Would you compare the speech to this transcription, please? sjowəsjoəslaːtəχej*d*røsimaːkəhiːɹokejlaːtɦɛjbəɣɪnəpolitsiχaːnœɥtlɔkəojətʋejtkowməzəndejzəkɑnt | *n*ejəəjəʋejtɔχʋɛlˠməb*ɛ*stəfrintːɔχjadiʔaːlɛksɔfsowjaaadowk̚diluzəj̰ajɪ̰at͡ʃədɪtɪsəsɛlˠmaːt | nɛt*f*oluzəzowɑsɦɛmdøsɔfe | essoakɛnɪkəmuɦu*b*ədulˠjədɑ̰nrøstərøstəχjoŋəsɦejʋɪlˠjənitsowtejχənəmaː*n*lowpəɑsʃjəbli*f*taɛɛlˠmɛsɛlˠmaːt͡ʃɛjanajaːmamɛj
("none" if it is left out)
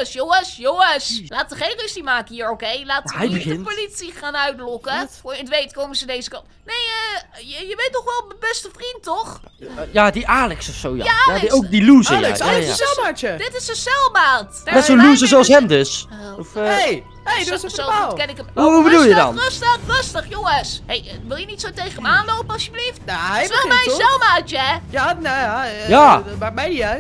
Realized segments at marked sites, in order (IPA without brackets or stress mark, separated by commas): n, n, ɛ, s, b, n, f